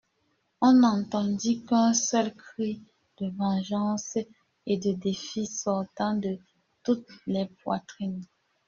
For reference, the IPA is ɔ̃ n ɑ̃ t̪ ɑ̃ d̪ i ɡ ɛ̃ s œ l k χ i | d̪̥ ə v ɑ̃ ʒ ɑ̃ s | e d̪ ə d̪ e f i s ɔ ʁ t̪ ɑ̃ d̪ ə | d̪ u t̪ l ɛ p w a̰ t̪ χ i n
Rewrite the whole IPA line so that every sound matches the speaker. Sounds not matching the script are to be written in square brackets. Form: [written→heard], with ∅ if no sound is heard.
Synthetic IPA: ɔ̃ n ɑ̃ t̪ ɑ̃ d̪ i [ɡ→k] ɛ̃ s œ l k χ i | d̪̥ ə v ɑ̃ ʒ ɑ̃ s | e d̪ ə d̪ e f i s ɔ ʁ t̪ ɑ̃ d̪ ə | [d̪→t̪] u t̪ l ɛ p w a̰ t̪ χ i n